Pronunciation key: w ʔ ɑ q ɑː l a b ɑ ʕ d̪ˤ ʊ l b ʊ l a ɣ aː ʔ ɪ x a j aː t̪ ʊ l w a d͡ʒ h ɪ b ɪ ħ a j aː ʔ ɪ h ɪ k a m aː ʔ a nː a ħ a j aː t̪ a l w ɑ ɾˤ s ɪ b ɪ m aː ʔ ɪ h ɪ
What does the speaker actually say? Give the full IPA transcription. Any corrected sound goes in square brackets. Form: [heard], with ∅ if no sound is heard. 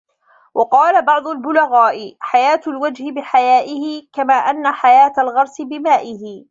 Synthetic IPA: w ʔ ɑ q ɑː l a b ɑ ʕ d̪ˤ ʊ l b ʊ l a ɣ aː ʔ ɪ [ħ] a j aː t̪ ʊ l w a d͡ʒ h ɪ b ɪ ħ a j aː ʔ ɪ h ɪ k a m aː ʔ a nː a ħ a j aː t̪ a l [ɣ] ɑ ɾˤ s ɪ b ɪ m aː ʔ ɪ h ɪ

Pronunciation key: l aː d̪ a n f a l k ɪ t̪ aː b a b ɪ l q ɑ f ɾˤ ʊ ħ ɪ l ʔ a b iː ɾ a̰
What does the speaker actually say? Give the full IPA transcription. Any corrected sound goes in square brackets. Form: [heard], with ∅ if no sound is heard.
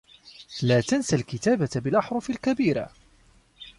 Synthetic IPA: l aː [t̪] a n [s] a l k ɪ t̪ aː b a b ɪ l [ʔ] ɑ [ħ] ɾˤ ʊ [f] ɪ l [k] a b iː ɾ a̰

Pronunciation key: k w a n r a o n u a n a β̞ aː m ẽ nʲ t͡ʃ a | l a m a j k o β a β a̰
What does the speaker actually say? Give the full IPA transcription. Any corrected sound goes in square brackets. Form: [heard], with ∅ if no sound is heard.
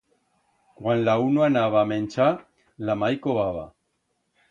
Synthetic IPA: k w a n [l] a [u] n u a n a β̞ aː m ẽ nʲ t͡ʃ a | l a m a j k o β a β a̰

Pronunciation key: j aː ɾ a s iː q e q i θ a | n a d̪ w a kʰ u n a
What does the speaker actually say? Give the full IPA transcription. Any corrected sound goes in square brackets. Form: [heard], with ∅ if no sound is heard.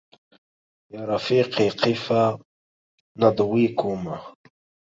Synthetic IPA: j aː ɾ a [f] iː q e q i [f] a | n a d̪ w [i] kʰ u [m] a

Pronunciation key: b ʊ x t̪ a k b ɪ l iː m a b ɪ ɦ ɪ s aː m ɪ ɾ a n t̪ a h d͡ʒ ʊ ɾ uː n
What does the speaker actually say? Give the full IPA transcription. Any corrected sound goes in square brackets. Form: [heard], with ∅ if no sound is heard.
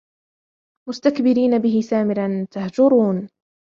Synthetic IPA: [m] ʊ [s] t̪ a k b ɪ [ɾ] iː [n] a b ɪ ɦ ɪ s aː m ɪ ɾ a n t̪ a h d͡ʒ ʊ ɾ uː n

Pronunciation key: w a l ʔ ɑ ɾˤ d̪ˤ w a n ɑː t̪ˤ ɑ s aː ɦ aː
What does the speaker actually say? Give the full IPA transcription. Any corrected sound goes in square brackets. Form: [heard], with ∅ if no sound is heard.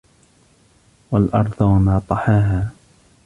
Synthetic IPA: w a l ʔ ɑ ɾˤ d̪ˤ w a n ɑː t̪ˤ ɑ [ħ] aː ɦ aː

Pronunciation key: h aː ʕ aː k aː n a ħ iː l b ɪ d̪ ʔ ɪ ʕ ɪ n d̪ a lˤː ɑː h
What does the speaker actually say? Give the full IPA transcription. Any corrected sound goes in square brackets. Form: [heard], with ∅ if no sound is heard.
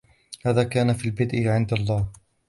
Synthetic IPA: h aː [ð] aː k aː n a [f] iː l b ɪ d̪ ʔ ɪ ʕ ɪ n d̪ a lˤː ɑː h

